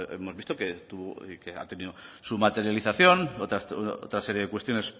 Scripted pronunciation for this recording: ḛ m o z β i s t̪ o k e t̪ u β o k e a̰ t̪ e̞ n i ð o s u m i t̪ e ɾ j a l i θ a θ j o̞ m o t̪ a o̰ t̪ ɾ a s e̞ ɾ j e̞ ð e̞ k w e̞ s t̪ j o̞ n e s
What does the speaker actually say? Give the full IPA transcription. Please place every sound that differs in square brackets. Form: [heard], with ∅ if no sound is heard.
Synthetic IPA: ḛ m o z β i s t̪ o k e t̪ u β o k e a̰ t̪ e̞ n i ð o s u m [a] t̪ e ɾ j a l i θ a θ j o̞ [n] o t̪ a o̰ t̪ ɾ a s e̞ ɾ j e̞ ð e̞ k w e̞ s t̪ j o̞ n e s

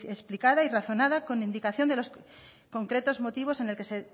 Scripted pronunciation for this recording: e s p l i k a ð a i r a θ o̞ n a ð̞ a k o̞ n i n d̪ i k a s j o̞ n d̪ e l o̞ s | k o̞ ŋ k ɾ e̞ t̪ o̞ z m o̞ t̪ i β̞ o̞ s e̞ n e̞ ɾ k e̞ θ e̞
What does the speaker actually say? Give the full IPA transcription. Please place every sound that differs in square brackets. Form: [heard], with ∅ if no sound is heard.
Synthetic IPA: e s p l i k a ð a i r a θ o̞ n a ð̞ a k o̞ n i n d̪ i k a [θ] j o̞ n d̪ e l o̞ s | k o̞ ŋ k ɾ e̞ t̪ o̞ z m o̞ t̪ i β̞ o̞ s e̞ n e̞ [l] k e̞ [s] e̞

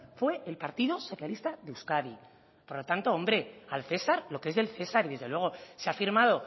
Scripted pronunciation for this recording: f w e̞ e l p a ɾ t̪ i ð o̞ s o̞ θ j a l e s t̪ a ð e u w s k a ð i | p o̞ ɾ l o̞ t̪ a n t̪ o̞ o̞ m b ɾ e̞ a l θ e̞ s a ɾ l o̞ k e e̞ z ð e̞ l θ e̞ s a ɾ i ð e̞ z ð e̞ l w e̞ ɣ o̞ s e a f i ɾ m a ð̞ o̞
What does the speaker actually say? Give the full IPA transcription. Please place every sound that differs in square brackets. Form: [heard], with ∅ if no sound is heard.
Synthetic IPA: f w e̞ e l p a ɾ t̪ i ð o̞ s o̞ θ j a l [i] s t̪ a ð e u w s k a ð i | p o̞ ɾ l o̞ t̪ a n t̪ o̞ o̞ m b ɾ e̞ a l θ e̞ s a ɾ l o̞ k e e̞ z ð e̞ l θ e̞ s a ɾ i ð e̞ z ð e̞ l w e̞ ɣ o̞ s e a f i ɾ m a ð̞ o̞

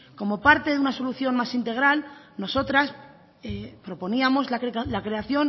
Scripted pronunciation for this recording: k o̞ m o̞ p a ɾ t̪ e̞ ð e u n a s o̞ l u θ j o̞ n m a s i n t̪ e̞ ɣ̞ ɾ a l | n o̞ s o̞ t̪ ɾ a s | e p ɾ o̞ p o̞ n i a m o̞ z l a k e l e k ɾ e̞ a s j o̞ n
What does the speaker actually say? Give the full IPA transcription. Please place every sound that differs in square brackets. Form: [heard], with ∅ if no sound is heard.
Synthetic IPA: k o̞ m o̞ p a ɾ t̪ e̞ ð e u n a s o̞ l u θ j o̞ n m a s i n t̪ e̞ ɣ̞ ɾ a l | n o̞ s o̞ t̪ ɾ a s | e p ɾ o̞ p o̞ n i a m o̞ z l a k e l [a] k ɾ e̞ a [θ] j o̞ n

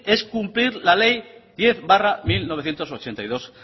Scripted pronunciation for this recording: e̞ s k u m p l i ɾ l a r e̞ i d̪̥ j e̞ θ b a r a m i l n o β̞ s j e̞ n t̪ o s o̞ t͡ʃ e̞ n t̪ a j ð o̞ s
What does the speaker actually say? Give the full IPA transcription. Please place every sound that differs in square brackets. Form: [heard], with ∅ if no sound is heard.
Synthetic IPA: e̞ s k u m p l i ɾ l a [l] e̞ [j] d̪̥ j e̞ θ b a r a m i l n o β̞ [θ] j e̞ n t̪ o s o̞ t͡ʃ e̞ n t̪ a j ð o̞ s

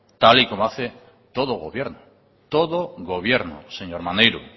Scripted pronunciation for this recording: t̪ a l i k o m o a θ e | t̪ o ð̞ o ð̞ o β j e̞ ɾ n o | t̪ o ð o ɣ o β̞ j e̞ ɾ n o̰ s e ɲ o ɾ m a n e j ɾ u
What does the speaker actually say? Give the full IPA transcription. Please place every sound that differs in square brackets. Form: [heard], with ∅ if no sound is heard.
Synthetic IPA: t̪ a l i k o m o a θ e | t̪ o ð̞ o [ɣ̞] o β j e̞ ɾ n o | t̪ o ð o ɣ o β̞ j e̞ ɾ n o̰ s e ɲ o ɾ m a n e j ɾ u

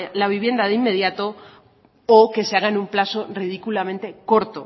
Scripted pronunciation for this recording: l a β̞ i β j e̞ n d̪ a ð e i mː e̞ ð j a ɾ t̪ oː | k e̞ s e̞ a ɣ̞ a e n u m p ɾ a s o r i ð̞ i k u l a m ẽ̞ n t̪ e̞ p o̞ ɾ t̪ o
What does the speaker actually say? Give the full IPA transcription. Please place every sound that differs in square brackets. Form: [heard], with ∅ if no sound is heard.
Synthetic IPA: l a β̞ i β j e̞ n d̪ a ð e i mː e̞ ð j a [∅] t̪ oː | k e̞ s e̞ a ɣ̞ a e n u m p [l] a s o r i ð̞ i k u l a m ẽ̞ n t̪ e̞ [k] o̞ ɾ t̪ o

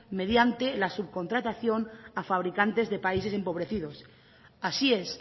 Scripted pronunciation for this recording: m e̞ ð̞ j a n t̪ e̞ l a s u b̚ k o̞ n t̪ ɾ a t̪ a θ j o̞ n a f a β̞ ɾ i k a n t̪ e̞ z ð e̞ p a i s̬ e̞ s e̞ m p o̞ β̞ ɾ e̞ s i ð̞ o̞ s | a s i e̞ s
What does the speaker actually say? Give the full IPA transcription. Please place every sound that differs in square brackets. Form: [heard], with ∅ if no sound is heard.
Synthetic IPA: m e̞ ð̞ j a n t̪ e̞ l a s u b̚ k o̞ n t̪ ɾ a t̪ a θ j o̞ n a f a β̞ ɾ i k a n t̪ e̞ z ð e̞ p a i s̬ e̞ s e̞ m p o̞ β̞ ɾ e̞ [θ] i ð̞ o̞ s | a s i e̞ s

